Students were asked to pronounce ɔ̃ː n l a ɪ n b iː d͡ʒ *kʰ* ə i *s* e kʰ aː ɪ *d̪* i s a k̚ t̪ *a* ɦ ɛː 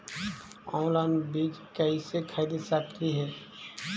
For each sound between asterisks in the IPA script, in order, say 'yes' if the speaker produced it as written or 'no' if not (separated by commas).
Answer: no, yes, yes, no